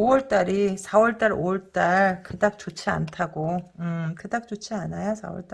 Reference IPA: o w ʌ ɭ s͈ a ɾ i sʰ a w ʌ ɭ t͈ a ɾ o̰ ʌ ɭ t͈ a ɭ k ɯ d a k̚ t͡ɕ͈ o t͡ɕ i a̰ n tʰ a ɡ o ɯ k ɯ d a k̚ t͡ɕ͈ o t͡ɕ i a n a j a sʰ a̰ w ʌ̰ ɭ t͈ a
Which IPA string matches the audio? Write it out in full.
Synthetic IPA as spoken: o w ʌ ɭ t͈ a ɾ i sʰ a w ʌ ɭ t͈ a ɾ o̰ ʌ ɭ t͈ a ɭ k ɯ d a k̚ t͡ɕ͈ o t͡ɕʰ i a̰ n tʰ a ɡ o ɯ k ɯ d a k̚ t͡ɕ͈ o t͡ɕʰ i a n a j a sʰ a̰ w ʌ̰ ɭ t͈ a